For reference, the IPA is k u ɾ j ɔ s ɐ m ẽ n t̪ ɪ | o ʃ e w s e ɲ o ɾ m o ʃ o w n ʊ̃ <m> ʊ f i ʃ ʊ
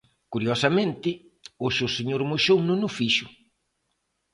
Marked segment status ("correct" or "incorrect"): incorrect